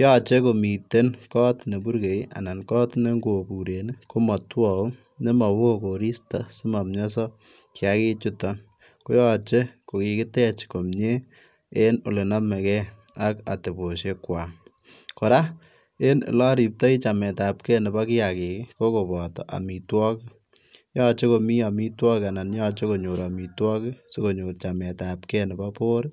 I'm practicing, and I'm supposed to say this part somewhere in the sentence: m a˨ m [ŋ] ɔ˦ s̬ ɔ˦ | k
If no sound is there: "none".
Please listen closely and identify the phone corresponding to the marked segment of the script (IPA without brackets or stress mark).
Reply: ɲ